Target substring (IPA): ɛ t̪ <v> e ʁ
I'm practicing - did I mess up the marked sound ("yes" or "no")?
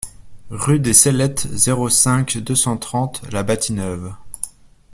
yes